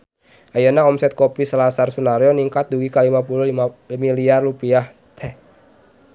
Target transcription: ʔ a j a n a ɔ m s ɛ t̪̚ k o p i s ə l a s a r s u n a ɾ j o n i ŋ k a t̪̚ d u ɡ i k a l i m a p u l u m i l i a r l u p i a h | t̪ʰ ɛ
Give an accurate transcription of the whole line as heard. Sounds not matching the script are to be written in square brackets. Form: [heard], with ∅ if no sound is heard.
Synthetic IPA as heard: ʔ a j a n a ɔ m s ɛ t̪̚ k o p i s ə l a s a r s u n a ɾ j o n i ŋ k a t̪̚ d u ɡ i k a l i m a p u l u m i l i a r l u p i a h | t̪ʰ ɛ

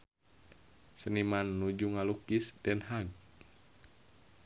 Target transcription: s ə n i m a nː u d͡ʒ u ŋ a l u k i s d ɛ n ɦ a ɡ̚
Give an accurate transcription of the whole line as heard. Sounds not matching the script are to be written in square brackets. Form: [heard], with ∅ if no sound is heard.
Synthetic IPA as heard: s ə n i m a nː u d͡ʒ u ŋ a l u k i s d ɛ n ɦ a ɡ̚

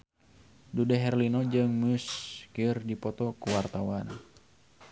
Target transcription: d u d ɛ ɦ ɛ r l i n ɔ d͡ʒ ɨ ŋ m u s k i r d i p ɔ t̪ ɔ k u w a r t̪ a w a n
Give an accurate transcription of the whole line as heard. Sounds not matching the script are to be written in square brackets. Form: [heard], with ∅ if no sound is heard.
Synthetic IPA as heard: d u d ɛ ɦ ɛ r l i n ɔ d͡ʒ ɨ ŋ m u s k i r d i p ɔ t̪ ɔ k u w a r t̪ a w a n

